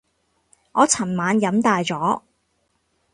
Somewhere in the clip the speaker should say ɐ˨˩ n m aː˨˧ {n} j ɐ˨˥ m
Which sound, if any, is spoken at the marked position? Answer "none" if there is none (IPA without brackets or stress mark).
n